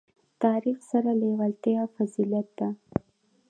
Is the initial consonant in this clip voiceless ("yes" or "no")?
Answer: yes